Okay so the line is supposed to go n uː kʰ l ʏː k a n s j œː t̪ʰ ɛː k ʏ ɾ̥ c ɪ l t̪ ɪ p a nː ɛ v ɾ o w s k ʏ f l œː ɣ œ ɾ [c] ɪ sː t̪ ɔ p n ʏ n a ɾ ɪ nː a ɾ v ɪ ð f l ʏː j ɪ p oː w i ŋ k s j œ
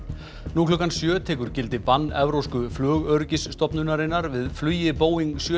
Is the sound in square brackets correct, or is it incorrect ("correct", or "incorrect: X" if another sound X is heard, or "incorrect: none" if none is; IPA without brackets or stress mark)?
correct